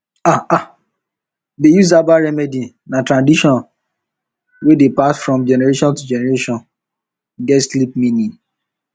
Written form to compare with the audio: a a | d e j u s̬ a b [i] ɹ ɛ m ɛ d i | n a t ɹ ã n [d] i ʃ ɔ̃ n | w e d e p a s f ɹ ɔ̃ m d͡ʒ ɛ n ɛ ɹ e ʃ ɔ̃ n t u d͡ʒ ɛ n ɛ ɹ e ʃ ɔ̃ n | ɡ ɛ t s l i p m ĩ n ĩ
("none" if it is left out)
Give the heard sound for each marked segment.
a, d

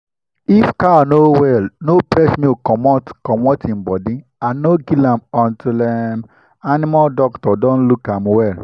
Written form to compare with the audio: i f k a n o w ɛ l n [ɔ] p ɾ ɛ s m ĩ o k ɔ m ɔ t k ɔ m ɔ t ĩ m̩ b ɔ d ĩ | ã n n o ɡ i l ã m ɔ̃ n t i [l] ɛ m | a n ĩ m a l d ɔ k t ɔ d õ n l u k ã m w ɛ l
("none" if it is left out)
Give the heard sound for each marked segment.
o, l

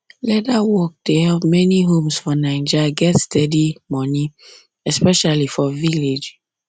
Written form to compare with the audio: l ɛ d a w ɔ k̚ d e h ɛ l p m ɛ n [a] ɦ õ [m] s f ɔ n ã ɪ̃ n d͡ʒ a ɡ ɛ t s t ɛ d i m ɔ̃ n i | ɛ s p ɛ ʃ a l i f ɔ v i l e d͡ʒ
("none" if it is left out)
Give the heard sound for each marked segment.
i, m

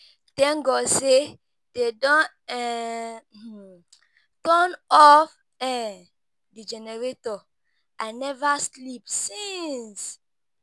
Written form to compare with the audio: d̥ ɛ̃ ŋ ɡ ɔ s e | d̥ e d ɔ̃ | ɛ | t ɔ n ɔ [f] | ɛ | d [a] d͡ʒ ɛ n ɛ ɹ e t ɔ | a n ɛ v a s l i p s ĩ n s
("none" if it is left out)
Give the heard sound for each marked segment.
f, i

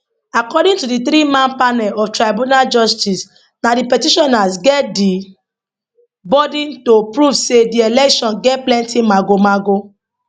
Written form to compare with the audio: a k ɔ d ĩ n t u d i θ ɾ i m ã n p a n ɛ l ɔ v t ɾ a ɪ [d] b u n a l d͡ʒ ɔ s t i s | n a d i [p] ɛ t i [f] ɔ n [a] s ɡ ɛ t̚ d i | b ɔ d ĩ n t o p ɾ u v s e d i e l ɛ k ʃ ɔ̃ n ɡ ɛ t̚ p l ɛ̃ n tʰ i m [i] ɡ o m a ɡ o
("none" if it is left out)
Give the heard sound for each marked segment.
none, p, ʃ, a, a

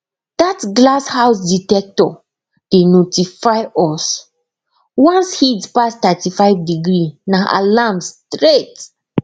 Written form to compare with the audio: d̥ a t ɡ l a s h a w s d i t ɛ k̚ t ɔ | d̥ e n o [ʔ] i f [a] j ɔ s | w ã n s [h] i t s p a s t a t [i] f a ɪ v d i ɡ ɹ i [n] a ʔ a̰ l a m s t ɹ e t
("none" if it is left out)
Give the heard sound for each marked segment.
t, a, h, i, n

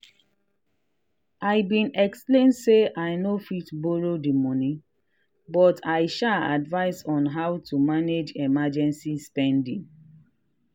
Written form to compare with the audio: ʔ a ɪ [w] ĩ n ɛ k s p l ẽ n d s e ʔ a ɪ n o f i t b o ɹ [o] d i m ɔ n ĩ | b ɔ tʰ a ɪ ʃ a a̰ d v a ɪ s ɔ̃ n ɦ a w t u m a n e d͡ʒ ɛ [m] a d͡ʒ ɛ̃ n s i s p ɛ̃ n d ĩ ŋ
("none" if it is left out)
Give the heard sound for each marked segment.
b, o, m

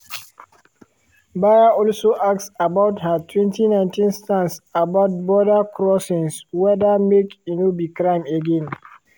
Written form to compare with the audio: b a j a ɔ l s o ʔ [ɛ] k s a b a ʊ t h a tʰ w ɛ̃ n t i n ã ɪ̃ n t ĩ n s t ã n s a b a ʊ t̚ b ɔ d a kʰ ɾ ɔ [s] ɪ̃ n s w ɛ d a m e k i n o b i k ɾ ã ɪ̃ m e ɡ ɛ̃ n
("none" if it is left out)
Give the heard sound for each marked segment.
a, s

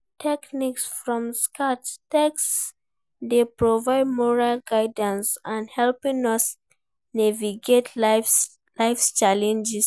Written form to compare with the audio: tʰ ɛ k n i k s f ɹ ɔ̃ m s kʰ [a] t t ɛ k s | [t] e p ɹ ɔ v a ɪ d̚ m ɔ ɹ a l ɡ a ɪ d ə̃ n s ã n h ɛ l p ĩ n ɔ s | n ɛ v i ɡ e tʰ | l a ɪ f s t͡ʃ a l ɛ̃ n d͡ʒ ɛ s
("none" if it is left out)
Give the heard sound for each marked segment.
a, d

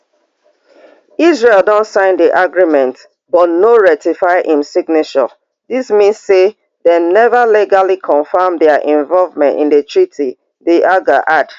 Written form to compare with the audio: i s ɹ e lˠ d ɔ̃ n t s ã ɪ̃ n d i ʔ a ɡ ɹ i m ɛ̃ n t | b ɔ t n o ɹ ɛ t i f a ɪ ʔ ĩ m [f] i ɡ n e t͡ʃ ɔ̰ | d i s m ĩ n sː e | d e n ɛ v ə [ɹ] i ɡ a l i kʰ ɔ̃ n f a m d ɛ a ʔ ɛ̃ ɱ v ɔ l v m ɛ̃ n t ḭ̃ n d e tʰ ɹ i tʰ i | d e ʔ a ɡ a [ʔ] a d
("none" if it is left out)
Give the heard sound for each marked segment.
s, l, ʔ

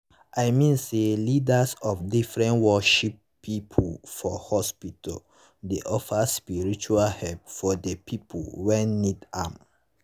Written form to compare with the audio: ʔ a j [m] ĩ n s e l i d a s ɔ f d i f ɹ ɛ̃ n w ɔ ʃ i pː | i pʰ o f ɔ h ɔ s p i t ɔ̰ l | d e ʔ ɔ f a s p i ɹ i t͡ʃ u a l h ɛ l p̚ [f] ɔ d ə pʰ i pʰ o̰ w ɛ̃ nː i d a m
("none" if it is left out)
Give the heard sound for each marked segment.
m, f

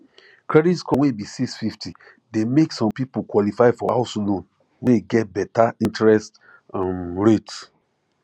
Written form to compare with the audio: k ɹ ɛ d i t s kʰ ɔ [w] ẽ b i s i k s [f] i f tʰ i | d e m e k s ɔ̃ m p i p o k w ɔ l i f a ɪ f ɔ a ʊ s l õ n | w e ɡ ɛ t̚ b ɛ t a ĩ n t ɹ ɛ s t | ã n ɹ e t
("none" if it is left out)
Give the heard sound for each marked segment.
w, f

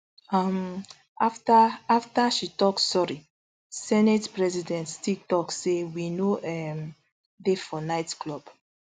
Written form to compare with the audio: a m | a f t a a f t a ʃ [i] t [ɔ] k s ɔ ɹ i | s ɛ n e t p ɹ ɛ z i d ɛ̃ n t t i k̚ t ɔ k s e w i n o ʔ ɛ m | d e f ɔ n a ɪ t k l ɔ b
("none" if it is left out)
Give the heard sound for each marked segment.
i, ɔ

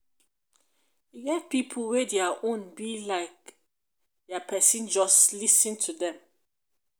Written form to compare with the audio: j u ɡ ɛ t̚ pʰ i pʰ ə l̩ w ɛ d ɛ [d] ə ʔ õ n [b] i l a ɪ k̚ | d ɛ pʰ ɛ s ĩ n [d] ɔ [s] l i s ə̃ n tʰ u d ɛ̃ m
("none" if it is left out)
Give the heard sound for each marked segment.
none, b, d͡ʒ, s

